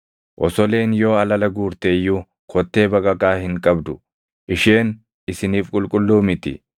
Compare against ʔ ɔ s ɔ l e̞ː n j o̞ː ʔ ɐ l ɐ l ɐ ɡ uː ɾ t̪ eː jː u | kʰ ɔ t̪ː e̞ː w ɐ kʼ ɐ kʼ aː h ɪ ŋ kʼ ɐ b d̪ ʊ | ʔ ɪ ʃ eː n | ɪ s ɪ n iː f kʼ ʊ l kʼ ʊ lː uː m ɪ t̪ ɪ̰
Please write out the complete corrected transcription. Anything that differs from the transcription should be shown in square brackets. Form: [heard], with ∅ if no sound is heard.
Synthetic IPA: ʔ ɔ s ɔ l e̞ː n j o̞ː [∅] ɐ l ɐ l ɐ ɡ uː ɾ t̪ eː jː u | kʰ ɔ t̪ː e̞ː [b] ɐ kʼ ɐ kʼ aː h ɪ ŋ kʼ ɐ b d̪ ʊ | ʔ ɪ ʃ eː n | ɪ s ɪ n iː f kʼ ʊ l kʼ ʊ lː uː m ɪ t̪ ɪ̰